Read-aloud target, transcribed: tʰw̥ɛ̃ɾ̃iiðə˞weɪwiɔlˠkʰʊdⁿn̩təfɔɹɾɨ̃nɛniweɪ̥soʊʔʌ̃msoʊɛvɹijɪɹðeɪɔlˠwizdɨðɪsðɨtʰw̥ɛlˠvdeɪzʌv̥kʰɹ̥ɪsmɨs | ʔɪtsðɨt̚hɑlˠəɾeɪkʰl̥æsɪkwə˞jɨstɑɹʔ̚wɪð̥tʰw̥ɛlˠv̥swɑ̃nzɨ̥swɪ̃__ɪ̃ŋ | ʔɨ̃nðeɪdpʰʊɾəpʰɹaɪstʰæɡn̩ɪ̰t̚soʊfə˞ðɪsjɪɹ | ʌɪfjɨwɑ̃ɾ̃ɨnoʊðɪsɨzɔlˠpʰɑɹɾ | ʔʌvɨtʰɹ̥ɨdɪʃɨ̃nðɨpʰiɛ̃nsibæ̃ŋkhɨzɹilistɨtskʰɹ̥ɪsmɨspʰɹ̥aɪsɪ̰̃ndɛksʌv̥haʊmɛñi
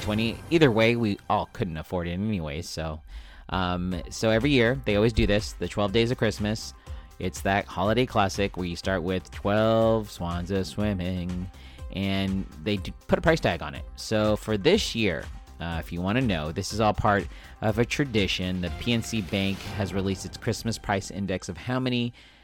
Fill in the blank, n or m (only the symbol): m